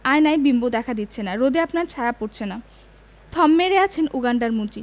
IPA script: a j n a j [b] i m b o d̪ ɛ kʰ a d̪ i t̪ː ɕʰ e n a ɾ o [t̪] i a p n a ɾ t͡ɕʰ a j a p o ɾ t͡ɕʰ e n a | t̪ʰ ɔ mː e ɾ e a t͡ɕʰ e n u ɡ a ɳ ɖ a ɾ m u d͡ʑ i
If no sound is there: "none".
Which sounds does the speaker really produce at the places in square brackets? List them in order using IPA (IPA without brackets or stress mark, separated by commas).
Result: b, d̪